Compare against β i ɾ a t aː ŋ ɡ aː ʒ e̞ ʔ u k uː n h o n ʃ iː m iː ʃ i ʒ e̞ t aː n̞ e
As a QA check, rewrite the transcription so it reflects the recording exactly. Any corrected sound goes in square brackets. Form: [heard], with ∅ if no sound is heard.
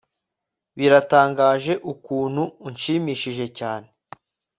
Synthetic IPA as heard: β i ɾ a t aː ŋ ɡ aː ʒ e̞ ʔ u k uː n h [u] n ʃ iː m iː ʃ i ʒ e̞ [c] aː n̞ e